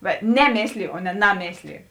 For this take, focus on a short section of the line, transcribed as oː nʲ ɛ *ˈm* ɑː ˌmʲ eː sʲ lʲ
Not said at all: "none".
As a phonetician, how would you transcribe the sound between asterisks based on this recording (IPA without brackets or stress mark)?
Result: n